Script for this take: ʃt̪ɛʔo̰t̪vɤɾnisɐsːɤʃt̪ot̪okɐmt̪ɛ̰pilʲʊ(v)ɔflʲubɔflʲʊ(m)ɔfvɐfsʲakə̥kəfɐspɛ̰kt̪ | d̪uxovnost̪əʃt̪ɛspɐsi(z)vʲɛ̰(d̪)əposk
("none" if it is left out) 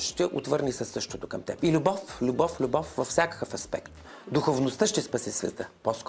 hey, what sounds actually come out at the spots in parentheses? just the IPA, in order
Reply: b, b, s, t̪

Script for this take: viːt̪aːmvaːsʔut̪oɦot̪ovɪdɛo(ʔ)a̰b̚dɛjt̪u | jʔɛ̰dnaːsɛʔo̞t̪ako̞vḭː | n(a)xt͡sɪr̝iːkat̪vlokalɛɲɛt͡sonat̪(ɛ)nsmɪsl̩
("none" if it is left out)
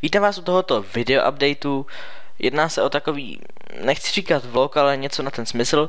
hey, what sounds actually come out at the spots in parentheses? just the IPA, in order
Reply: ʔ, ɛ, ɛ

